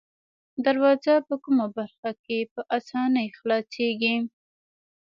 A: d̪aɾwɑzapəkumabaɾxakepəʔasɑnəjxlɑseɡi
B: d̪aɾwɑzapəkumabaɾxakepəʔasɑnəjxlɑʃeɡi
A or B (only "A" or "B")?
A